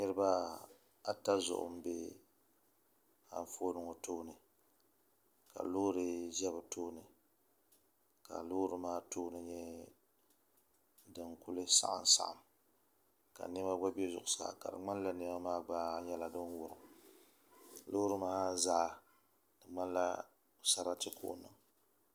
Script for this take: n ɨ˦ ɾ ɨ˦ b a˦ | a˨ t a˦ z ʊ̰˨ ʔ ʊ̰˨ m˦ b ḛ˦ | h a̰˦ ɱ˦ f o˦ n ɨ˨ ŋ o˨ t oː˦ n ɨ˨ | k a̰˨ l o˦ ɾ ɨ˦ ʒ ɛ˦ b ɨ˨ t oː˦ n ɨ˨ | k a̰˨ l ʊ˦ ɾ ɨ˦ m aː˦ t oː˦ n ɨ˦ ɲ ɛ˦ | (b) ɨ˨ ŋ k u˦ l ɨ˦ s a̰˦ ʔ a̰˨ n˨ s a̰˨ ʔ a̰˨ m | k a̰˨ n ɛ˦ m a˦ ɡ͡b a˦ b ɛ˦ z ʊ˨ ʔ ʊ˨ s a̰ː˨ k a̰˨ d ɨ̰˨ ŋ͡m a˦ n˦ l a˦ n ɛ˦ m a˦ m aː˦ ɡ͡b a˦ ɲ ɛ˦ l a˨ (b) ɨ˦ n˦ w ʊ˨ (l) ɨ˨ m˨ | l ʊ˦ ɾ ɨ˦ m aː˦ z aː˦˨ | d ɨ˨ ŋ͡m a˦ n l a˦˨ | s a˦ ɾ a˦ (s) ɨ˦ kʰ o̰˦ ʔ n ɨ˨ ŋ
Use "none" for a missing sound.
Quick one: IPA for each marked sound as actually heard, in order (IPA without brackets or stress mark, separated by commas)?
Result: d, d, ɾ, t